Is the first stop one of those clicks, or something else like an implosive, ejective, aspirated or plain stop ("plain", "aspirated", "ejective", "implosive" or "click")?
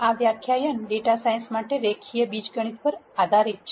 aspirated